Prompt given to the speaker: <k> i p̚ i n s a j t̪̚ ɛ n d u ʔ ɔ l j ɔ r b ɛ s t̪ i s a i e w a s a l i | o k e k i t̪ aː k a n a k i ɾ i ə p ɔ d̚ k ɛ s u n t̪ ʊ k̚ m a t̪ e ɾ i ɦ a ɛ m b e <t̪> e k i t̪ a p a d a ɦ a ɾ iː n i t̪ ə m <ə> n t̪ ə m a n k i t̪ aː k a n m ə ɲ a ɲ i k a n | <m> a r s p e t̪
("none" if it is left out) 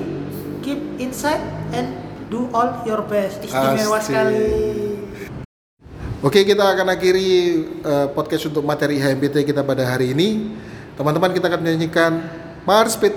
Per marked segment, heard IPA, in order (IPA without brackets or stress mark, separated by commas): k, t̪, a, m